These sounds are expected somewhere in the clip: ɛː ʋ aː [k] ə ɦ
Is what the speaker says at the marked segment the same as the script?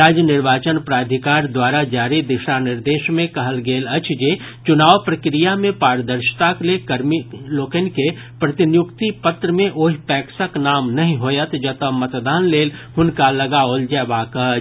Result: yes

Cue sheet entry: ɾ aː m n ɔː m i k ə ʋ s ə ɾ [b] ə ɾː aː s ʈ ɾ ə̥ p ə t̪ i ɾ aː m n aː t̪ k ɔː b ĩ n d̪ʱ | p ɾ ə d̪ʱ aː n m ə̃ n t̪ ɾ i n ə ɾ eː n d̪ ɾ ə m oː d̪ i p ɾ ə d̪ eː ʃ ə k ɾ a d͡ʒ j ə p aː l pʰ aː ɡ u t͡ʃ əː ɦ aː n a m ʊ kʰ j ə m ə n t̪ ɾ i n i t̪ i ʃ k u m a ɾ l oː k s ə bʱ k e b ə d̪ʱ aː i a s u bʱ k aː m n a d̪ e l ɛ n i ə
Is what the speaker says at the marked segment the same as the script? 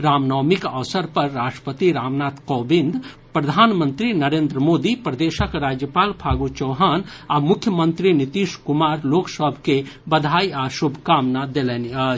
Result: no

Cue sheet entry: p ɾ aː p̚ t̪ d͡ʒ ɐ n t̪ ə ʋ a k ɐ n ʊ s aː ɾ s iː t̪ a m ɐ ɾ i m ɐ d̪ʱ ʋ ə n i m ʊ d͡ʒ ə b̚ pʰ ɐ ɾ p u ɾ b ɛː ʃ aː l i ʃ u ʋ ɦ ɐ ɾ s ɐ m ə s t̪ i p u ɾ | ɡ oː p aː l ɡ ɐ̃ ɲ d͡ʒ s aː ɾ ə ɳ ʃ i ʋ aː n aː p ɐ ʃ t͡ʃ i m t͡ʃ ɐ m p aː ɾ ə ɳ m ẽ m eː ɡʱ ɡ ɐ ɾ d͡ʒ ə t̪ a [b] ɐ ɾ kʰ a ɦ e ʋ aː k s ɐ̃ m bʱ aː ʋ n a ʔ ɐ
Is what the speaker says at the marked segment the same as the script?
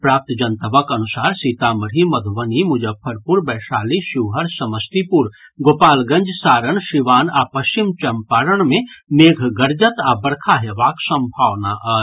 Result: yes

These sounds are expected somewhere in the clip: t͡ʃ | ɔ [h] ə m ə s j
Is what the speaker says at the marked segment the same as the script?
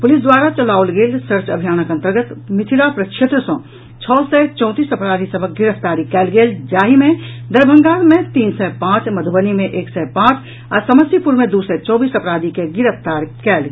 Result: no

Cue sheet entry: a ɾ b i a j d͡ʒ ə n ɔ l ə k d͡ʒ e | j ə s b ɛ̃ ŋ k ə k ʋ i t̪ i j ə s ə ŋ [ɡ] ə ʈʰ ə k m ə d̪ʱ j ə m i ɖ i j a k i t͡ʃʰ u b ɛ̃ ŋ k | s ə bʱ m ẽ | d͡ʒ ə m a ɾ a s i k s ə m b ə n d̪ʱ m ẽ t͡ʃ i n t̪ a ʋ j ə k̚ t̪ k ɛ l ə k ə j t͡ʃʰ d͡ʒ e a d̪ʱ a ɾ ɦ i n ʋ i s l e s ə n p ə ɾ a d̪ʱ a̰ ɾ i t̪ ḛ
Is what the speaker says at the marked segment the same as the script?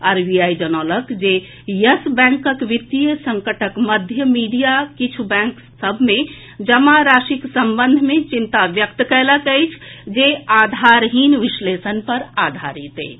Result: no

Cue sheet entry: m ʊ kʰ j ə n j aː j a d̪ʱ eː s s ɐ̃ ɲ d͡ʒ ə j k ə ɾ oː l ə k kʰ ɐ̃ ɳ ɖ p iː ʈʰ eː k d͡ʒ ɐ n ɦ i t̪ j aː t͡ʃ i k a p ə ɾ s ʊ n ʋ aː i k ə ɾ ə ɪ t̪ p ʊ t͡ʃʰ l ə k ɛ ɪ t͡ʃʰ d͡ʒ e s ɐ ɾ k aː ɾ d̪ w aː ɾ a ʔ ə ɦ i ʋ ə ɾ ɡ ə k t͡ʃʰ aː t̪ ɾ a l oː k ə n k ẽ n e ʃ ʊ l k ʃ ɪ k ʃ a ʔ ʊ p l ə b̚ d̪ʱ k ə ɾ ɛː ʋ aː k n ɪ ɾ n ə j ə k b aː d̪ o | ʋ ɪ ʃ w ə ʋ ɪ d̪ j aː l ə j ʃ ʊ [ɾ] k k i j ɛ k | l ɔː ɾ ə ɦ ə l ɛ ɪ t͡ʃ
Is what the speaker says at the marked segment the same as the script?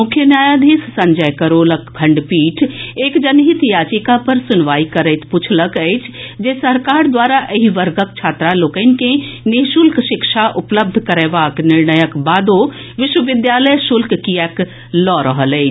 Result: no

